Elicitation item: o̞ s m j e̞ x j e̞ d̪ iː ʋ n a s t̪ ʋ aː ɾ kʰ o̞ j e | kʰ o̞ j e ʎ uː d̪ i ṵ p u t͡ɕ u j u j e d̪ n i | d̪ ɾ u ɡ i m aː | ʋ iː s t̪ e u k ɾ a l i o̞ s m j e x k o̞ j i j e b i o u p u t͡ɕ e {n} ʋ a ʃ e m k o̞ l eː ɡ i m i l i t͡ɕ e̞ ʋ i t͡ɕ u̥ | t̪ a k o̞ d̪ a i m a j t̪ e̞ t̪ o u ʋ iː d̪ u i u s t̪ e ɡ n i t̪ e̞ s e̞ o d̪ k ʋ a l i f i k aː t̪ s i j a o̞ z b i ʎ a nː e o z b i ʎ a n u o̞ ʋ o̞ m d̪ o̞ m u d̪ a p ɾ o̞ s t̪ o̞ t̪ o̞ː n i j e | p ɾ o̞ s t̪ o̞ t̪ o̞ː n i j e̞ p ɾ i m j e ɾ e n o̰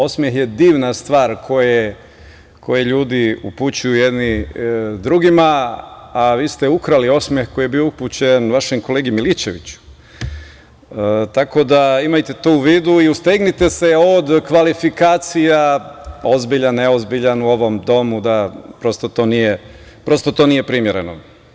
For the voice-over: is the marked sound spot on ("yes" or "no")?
yes